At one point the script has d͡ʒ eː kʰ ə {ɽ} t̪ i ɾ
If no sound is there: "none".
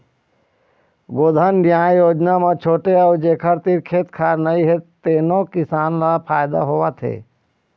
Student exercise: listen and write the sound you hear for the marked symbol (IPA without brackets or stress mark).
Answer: ɾ